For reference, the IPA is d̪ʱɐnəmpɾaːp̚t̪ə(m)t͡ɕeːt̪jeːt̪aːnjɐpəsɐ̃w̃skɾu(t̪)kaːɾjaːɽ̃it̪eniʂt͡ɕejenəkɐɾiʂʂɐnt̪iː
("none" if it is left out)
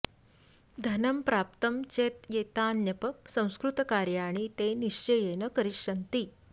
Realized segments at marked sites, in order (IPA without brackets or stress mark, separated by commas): m, t̪